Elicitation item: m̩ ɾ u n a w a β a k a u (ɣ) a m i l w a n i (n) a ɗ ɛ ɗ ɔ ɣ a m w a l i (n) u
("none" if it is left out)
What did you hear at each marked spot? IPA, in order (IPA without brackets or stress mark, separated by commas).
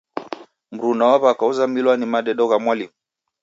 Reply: z, m, m